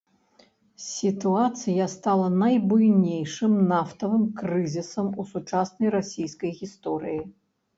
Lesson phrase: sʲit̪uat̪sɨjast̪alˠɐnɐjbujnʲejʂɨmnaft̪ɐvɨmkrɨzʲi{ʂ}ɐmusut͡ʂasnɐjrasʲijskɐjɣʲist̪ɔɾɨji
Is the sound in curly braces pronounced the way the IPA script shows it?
no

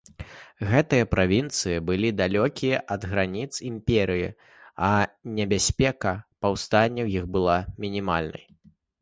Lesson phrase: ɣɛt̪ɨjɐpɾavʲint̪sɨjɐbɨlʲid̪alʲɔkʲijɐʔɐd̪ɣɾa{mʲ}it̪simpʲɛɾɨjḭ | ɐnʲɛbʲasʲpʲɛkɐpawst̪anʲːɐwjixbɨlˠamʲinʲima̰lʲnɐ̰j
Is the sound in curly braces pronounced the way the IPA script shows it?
no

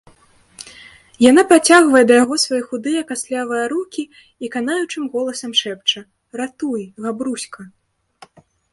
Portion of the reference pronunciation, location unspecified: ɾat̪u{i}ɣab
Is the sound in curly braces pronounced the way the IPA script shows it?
no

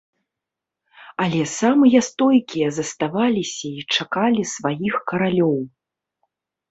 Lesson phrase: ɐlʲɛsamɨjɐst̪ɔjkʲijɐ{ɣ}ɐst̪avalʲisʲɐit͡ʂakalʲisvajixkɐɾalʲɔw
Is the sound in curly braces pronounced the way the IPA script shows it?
no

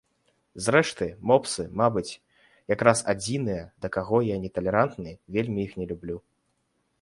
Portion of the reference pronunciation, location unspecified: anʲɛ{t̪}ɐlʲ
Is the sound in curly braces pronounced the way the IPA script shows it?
yes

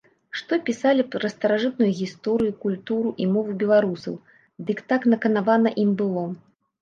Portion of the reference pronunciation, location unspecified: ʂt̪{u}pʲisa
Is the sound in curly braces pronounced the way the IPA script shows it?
no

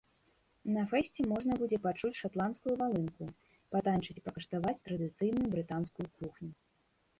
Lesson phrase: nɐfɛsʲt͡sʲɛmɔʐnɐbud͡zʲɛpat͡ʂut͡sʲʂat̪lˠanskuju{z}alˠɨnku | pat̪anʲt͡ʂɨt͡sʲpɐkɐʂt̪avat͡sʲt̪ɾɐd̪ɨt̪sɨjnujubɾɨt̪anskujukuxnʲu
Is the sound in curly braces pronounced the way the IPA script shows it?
no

